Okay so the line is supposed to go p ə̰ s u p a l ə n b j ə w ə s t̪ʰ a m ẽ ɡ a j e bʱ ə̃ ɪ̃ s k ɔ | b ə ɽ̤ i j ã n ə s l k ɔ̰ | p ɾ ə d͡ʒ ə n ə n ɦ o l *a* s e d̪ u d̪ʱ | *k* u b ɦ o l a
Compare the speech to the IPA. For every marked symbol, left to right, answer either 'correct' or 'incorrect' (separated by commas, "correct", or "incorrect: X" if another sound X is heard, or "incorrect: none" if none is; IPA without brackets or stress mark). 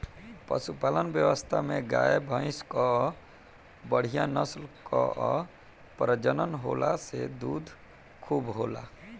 correct, incorrect: kʰ